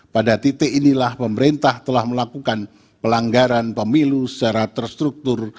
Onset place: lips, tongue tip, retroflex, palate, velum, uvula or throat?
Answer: lips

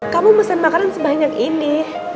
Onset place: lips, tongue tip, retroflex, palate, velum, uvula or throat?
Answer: velum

